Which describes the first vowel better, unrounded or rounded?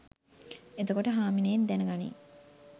unrounded